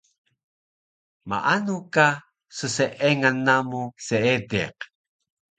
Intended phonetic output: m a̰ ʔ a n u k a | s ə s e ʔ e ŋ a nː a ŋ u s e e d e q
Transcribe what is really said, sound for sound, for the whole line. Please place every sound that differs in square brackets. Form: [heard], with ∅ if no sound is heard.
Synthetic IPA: m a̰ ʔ a n u k a | s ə s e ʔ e ŋ a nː a [m] u s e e d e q

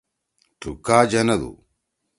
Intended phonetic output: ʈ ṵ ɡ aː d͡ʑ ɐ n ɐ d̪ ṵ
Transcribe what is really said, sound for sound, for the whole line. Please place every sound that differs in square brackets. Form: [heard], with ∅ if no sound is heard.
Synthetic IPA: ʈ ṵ [k] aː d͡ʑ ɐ n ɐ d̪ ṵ

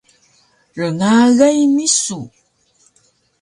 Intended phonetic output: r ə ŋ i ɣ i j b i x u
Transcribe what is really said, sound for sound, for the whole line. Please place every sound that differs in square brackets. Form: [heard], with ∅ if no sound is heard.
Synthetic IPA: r ə ŋ [a] ɣ [a] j [m] i [s] u

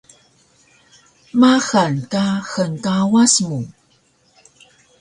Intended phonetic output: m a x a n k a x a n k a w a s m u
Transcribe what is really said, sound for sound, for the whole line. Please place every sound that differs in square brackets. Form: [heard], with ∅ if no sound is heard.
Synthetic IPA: m a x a n k a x [ə] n k a w a s m u

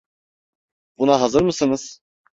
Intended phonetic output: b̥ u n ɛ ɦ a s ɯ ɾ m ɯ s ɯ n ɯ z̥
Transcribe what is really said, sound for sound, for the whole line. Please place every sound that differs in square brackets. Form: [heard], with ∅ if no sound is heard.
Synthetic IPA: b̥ u n [a] ɦ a [z] ɯ ɾ m ɯ s ɯ n ɯ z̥

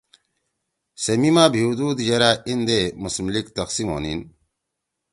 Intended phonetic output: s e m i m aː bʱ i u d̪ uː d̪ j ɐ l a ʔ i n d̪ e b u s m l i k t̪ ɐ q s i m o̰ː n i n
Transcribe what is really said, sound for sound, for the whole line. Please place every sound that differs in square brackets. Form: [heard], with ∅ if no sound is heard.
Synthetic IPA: s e m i m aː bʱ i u d̪ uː d̪ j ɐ [ɾ] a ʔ i n d̪ e [m] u s m l i k t̪ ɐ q s i m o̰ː n i n

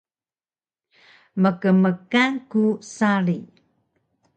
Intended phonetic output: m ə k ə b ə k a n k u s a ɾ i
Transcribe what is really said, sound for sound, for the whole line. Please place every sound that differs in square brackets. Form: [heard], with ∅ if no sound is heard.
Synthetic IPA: m ə k ə [m] ə k a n k u s a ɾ i

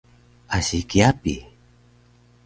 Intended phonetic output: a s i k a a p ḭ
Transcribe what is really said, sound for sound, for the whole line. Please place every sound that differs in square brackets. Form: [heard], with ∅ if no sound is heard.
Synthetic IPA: a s i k [i] a p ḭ

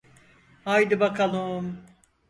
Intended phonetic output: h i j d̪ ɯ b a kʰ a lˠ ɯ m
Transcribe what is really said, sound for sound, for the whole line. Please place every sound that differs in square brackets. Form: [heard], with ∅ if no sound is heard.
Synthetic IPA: h [a] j d̪ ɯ b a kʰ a lˠ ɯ m

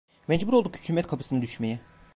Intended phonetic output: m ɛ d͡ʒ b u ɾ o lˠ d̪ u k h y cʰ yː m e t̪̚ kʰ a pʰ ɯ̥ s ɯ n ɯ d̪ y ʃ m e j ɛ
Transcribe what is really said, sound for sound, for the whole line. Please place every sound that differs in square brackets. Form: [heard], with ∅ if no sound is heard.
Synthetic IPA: m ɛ d͡ʒ b u ɾ o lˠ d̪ u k h y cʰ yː m [ɛ] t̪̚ kʰ a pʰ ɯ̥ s ɯ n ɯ d̪ y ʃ m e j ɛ

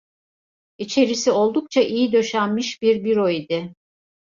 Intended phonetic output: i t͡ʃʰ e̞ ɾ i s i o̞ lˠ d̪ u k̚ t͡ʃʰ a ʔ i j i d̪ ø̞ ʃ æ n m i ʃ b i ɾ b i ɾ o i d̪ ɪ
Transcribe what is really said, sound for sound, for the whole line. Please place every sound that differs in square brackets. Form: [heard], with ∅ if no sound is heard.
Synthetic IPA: i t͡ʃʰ e̞ ɾ i s i o̞ lˠ d̪ u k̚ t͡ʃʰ a ʔ i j i d̪ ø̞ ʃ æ n m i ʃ b i ɾ b i ɾ o i d̪ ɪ

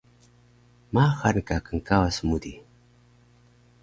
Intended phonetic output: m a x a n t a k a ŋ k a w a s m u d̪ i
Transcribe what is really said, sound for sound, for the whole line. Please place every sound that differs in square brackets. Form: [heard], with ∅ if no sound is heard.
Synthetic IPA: m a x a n [k] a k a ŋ k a w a s m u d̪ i

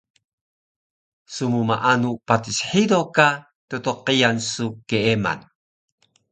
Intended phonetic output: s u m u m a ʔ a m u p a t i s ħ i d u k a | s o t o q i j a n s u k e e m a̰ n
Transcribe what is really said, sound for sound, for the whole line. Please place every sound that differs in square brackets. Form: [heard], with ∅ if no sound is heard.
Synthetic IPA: s u m u m a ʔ a [n] u p a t i s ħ i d [o] k a | [t] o t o q i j a n s u k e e m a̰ n

